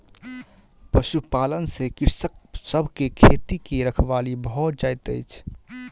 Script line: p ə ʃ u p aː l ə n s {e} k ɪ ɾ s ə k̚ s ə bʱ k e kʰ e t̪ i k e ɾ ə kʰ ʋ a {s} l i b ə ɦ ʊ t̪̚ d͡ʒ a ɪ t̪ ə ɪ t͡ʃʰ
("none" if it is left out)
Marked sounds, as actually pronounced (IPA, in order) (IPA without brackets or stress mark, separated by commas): e, none